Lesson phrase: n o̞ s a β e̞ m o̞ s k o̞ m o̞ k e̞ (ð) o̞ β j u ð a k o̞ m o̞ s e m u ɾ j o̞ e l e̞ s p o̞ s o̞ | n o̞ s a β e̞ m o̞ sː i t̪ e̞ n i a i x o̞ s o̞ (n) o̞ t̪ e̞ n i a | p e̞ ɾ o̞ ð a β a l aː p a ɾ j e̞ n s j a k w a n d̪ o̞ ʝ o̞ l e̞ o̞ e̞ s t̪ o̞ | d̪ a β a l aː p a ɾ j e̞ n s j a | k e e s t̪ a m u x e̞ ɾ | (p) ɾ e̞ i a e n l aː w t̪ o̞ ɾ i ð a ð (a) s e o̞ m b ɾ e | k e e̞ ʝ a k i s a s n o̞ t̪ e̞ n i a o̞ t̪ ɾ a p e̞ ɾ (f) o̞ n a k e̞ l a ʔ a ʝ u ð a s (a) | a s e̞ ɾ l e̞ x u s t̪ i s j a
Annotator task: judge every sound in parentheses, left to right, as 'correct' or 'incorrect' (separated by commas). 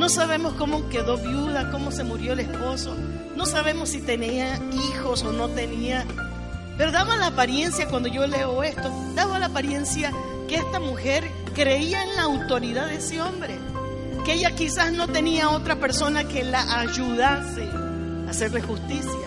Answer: correct, correct, incorrect, incorrect, incorrect, incorrect